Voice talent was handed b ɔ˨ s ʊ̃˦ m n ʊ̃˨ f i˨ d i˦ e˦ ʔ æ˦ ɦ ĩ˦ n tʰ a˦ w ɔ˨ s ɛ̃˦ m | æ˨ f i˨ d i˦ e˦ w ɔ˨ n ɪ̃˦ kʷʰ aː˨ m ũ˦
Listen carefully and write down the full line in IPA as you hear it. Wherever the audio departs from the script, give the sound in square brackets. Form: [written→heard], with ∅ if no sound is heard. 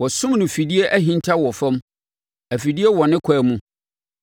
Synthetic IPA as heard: [b→w] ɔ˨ s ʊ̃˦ m n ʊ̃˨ f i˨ d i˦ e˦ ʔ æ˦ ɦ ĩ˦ n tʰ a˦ w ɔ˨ [s→f] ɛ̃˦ m | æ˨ f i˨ d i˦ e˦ w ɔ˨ n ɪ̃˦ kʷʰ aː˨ m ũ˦